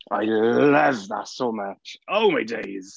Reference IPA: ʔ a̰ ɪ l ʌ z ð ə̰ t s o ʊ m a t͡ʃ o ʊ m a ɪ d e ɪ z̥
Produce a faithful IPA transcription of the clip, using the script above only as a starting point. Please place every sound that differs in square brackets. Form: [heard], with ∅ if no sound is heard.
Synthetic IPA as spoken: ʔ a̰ ɪ l ʌ [v] ð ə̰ t s o ʊ m [ʌ] t͡ʃ o ʊ m a ɪ d e ɪ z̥